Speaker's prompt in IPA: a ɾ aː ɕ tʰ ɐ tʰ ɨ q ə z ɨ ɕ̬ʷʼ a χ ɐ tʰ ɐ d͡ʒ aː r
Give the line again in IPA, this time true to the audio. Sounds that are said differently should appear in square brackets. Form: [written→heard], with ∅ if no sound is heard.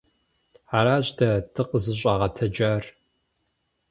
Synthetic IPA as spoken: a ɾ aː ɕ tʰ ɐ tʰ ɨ q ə z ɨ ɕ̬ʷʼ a [χ→ʁ] ɐ tʰ ɐ d͡ʒ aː r

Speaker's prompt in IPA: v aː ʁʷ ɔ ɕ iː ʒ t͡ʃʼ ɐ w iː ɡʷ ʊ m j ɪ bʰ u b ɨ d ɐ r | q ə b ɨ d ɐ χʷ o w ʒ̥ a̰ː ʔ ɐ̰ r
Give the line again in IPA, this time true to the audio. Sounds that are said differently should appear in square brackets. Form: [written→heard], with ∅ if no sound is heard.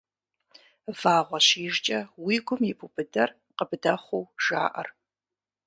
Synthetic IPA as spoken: v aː ʁʷ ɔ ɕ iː ʒ t͡ʃʼ ɐ w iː ɡʷ ʊ m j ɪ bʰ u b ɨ d ɐ r | q ə b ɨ d ɐ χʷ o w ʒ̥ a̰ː ʔ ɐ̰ r

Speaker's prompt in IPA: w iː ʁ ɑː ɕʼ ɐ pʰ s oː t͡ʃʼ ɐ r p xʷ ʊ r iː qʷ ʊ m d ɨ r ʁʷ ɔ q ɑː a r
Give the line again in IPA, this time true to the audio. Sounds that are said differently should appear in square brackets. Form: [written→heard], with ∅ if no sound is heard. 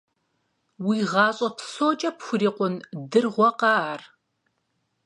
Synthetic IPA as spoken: w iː ʁ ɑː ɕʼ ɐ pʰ s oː t͡ʃʼ ɐ [r→∅] p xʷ ʊ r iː qʷ ʊ [m→n] d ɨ r ʁʷ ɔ q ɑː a r

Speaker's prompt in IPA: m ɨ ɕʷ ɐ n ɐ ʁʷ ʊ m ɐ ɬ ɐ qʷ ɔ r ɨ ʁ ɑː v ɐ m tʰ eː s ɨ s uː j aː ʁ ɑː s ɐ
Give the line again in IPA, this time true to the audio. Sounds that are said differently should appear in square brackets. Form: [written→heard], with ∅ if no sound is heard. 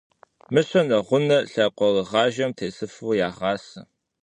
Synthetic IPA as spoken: m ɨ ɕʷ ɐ n ɐ ʁʷ ʊ [m→n] ɐ ɬ ɐ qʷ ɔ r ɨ ʁ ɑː [v→ʒ] ɐ m tʰ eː s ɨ [s→f] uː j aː ʁ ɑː s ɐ

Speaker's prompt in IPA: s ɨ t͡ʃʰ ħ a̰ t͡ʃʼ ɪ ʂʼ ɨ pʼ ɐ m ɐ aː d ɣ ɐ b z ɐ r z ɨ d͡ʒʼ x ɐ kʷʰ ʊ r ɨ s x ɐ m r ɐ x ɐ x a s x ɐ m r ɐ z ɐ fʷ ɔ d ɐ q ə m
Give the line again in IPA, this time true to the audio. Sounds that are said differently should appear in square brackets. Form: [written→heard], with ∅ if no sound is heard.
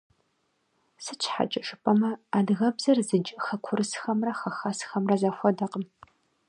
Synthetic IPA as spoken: s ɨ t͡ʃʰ ħ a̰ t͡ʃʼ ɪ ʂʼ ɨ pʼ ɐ m ɐ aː d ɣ ɐ b z ɐ r z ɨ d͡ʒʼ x ɐ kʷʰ ʊ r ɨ s x ɐ m r ɐ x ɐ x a s x ɐ m r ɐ z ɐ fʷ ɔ d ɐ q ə m

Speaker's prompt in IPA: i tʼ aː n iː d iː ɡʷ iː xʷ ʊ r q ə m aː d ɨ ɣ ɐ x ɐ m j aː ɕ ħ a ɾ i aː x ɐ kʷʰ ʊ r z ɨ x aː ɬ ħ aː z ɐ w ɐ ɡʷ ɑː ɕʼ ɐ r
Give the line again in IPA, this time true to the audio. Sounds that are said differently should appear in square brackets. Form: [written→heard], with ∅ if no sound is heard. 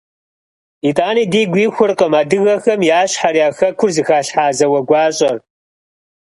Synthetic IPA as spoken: i tʼ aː n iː d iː ɡʷ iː xʷ ʊ r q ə m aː d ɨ ɣ ɐ x ɐ m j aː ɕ ħ a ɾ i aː x ɐ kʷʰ ʊ r z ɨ x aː ɬ ħ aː z ɐ w ɐ ɡʷ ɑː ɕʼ ɐ r

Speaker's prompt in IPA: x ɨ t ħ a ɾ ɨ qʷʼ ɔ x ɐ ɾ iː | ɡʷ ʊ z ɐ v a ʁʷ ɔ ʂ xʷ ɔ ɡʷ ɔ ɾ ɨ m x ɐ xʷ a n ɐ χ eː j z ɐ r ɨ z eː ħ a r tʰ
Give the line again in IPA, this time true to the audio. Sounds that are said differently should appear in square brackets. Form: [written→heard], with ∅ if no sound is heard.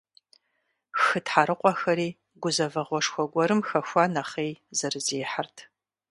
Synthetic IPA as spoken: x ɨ t ħ a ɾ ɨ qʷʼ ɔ x ɐ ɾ iː | ɡʷ ʊ z ɐ v [a→ɐ] ʁʷ ɔ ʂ xʷ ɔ ɡʷ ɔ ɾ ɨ m x ɐ xʷ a n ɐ χ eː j z ɐ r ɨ z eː ħ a r tʰ

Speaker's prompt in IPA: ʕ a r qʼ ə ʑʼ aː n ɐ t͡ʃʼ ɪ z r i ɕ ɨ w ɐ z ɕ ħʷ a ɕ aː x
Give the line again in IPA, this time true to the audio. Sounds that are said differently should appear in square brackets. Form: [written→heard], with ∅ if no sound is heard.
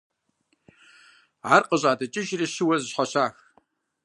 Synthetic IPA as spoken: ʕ a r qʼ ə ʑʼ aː [n→d] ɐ t͡ʃʼ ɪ [z→ʒ] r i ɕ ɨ w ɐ z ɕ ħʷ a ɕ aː x

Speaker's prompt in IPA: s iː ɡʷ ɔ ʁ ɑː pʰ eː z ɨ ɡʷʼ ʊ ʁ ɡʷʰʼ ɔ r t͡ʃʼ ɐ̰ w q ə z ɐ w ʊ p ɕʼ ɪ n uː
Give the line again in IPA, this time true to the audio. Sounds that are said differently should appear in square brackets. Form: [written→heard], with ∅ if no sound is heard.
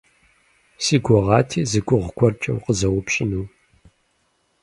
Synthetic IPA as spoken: s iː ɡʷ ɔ ʁ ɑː [pʰ→tʰ] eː z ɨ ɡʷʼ ʊ ʁ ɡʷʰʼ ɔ r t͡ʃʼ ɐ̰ w q ə z ɐ w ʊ p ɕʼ ɪ n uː

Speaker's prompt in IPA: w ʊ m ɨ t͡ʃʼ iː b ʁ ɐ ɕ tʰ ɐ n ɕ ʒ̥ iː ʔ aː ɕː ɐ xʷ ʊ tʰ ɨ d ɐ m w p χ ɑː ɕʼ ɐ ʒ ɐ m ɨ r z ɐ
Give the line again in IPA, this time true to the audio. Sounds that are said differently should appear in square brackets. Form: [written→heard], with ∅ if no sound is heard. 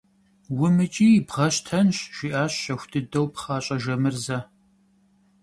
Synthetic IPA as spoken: w ʊ m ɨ t͡ʃʼ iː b ʁ ɐ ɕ tʰ ɐ n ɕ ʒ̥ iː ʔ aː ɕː ɐ xʷ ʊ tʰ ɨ d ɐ [m→∅] w p χ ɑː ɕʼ ɐ ʒ ɐ m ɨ r z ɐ

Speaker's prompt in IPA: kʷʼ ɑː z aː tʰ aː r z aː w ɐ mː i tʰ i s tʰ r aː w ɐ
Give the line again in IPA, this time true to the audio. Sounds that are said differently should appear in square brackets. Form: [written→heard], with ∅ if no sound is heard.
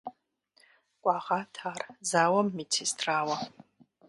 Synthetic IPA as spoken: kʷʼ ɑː [z→ʁ] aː tʰ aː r z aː w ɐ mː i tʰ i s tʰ r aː w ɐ

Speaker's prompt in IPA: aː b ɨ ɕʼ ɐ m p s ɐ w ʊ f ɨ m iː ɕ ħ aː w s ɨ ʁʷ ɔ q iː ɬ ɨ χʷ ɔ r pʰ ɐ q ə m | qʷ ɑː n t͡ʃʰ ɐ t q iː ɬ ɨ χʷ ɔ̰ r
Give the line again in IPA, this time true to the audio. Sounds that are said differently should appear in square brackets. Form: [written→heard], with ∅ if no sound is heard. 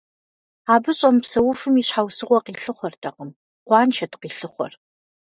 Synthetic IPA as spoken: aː b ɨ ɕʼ ɐ m p s ɐ w ʊ f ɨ m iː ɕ ħ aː w s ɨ ʁʷ ɔ q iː ɬ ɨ χʷ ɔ r [pʰ→tʰ] ɐ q ə m | qʷ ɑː n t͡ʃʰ ɐ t q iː ɬ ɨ χʷ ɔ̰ r

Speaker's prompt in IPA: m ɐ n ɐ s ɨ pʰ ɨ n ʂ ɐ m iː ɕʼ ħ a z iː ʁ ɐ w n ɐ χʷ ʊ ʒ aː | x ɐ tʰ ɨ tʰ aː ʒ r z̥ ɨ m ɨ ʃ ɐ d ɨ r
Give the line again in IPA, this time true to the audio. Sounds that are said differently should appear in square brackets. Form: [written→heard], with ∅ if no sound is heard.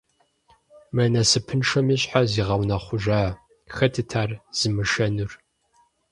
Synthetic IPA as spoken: m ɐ n ɐ s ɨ pʰ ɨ n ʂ ɐ m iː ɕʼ ħ a z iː ʁ ɐ w n ɐ χʷ ʊ ʒ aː | x ɐ tʰ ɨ tʰ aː [ʒ→∅] r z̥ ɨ m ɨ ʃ ɐ [d→n] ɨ r

